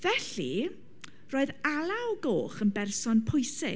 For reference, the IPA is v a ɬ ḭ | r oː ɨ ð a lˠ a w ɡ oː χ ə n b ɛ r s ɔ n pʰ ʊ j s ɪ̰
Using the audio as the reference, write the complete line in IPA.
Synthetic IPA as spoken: v ɛ ɬ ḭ | r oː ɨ ð a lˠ a w ɡ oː χ ə n b ɛ r s ɔ n pʰ ʊ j s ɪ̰